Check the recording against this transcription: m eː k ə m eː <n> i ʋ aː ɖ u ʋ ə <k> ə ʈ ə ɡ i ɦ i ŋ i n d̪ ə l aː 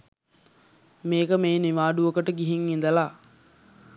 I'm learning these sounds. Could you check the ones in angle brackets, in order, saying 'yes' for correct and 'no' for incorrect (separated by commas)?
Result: yes, yes